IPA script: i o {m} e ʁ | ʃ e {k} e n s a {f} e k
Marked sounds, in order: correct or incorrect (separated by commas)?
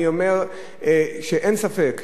correct, incorrect, correct